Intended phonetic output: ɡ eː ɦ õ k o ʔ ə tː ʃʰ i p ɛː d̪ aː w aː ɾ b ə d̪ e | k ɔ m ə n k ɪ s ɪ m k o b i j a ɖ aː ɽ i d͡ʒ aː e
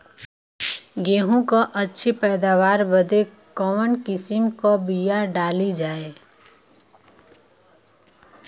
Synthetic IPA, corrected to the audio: ɡ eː ɦ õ k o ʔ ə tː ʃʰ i p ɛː d̪ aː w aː ɾ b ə d̪ e | k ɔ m ə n k ɪ s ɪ m k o b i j a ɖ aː l i d͡ʒ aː e